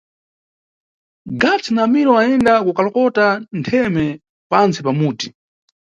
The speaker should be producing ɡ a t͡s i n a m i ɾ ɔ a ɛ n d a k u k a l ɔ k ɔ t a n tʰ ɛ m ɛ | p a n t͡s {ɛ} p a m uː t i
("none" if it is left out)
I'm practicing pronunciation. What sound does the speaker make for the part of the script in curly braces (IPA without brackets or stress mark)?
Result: i